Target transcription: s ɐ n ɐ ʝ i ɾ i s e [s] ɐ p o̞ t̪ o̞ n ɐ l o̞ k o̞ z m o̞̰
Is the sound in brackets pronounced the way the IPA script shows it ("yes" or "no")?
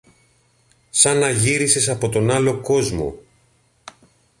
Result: yes